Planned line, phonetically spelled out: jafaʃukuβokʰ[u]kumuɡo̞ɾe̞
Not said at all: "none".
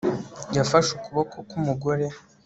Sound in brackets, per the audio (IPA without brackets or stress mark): o